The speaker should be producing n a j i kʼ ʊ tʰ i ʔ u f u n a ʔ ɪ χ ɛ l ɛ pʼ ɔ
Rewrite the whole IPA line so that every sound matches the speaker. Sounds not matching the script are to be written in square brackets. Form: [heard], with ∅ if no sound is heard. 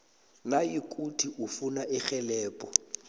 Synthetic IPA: n a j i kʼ [u] tʰ i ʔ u f u n a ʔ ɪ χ ɛ l [ɛː] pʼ ɔ